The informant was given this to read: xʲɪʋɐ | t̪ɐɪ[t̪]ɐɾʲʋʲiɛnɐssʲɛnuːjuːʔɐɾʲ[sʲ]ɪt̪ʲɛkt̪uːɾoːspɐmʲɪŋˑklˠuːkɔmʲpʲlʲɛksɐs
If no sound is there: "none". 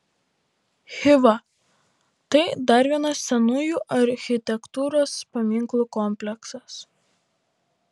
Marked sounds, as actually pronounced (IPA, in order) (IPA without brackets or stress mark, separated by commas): d̪, xʲ